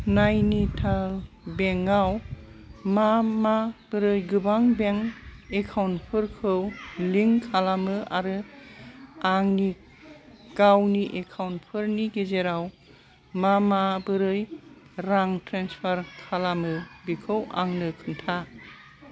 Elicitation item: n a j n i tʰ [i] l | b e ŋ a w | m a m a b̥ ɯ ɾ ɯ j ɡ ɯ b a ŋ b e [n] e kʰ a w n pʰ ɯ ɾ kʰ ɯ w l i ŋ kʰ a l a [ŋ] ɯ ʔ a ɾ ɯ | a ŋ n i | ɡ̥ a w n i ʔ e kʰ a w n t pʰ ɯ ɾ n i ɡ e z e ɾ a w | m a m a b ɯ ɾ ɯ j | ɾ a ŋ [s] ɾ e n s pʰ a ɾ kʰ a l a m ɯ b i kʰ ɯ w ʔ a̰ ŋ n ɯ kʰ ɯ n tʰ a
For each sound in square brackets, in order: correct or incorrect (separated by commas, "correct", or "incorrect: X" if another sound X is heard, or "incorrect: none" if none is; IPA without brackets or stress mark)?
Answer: incorrect: a, incorrect: ŋ, incorrect: m, incorrect: t